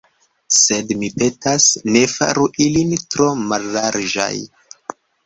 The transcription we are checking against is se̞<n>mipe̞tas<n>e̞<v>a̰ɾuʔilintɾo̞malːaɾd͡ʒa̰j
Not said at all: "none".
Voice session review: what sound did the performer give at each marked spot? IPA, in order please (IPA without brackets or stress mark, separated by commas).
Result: d, n, f